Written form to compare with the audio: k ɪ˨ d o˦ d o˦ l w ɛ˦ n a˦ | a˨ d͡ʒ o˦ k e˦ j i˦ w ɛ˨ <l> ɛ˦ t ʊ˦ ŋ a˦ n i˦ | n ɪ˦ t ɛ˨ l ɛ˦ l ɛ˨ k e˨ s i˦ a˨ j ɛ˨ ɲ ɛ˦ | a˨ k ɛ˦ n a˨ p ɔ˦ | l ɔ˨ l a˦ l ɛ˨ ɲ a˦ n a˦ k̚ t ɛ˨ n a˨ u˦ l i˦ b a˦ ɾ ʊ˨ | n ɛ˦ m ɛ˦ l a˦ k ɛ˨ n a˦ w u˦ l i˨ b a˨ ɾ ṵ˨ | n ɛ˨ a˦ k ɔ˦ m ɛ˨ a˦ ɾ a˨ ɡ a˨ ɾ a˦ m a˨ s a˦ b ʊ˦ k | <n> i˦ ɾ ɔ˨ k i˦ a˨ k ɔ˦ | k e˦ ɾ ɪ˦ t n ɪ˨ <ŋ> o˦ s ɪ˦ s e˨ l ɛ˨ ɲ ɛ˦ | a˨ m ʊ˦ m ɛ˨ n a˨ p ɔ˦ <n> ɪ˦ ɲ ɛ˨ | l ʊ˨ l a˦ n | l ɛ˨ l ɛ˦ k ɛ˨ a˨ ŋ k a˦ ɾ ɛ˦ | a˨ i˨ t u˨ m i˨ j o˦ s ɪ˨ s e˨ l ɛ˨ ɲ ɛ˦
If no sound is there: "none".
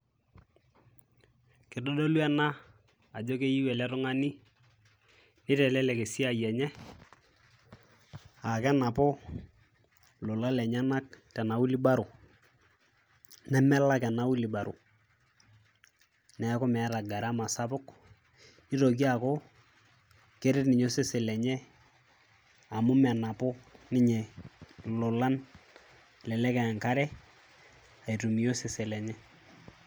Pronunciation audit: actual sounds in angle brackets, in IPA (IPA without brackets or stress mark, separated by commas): l, n, ɲ, n